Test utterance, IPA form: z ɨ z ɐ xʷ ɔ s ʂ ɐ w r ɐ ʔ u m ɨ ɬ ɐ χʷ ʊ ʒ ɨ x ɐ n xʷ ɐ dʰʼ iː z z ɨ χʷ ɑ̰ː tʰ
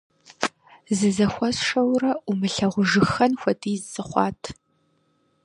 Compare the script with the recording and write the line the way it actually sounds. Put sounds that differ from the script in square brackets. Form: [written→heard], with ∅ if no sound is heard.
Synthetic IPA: z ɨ z ɐ xʷ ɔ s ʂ ɐ w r ɐ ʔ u m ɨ ɬ ɐ [χʷ→ʁʷ] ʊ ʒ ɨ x ɐ n xʷ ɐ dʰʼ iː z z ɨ χʷ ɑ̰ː tʰ

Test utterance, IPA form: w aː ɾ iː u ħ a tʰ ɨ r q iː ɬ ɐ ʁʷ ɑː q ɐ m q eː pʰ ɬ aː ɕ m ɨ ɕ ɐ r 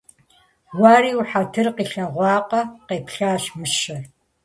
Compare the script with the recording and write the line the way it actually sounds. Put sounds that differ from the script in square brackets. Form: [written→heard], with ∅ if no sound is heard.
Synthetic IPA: w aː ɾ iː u ħ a tʰ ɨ r q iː ɬ ɐ ʁʷ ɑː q ɐ [m→∅] q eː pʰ ɬ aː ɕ m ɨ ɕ ɐ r

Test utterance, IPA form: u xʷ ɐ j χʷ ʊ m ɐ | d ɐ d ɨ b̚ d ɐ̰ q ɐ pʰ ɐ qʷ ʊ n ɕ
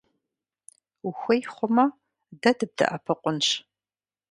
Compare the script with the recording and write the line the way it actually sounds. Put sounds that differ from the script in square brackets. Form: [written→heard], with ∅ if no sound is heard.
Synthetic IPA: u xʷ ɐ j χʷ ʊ m ɐ | d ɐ d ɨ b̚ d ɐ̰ [q→ʔ] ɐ pʰ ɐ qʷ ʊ n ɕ

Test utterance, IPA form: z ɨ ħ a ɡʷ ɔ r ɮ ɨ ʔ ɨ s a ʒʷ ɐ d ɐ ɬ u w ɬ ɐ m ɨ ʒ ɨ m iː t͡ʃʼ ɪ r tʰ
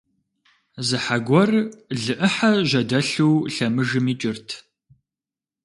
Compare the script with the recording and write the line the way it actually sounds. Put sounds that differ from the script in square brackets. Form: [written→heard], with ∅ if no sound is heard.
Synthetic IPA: z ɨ ħ a ɡʷ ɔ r ɮ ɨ ʔ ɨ [s→ħ] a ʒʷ ɐ d ɐ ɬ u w ɬ ɐ m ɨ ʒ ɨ m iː t͡ʃʼ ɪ r tʰ

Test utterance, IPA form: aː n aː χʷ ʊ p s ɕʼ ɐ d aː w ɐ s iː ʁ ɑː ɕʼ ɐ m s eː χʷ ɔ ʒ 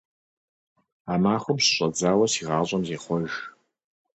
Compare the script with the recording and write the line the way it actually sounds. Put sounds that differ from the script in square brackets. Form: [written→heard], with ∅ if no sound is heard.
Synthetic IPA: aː [n→m] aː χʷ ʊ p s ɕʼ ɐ [d→d͡z] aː w ɐ s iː ʁ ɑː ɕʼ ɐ m [s→z] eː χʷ ɔ ʒ

